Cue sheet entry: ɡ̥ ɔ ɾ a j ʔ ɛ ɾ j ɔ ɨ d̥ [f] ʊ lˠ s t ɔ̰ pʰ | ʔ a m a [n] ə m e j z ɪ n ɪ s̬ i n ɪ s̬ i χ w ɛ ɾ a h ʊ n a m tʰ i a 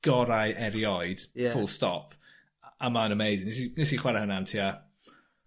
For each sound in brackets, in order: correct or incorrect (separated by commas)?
correct, correct